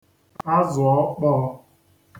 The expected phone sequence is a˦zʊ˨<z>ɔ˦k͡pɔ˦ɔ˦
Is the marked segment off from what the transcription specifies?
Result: yes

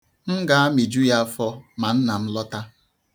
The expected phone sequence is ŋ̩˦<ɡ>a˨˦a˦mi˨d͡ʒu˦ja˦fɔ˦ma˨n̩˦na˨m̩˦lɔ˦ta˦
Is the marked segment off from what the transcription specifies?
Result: no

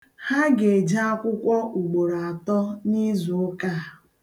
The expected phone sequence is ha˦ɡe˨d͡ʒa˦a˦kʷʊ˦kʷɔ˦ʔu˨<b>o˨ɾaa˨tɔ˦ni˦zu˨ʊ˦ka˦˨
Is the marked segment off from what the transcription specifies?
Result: yes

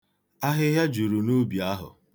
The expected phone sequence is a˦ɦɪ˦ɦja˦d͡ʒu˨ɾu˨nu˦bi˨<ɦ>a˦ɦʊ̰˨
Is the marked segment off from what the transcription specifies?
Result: yes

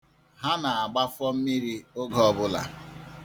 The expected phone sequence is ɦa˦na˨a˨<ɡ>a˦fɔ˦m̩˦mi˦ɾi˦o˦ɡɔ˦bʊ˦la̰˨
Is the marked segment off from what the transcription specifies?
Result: yes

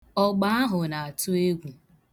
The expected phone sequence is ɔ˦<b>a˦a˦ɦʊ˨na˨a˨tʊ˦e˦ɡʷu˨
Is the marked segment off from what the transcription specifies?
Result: yes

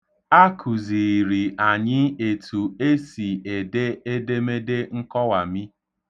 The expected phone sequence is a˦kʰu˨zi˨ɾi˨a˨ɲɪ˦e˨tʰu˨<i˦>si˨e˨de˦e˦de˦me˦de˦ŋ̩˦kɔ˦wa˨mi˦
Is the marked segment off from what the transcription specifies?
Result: yes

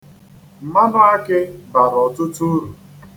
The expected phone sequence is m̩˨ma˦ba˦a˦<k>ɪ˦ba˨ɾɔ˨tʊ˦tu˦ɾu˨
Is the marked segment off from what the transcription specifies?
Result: no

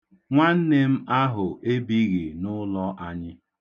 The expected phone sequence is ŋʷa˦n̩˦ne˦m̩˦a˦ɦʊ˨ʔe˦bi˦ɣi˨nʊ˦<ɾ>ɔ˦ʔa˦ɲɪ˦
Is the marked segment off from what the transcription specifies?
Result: yes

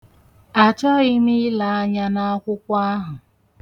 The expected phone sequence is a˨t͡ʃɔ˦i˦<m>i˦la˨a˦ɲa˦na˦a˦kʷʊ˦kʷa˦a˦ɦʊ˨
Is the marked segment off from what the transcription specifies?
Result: no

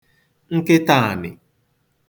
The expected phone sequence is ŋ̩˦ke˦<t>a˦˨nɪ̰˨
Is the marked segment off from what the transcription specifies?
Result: no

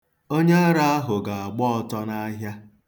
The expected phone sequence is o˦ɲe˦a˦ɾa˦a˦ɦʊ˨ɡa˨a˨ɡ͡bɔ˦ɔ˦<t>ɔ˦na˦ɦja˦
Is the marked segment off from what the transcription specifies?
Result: no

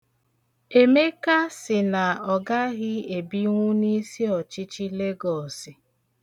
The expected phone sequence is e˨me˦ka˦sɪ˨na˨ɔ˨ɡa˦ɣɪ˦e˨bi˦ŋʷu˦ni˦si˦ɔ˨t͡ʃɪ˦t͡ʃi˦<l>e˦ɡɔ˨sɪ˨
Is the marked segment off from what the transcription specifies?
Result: no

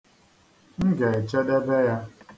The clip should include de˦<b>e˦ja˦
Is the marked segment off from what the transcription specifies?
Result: no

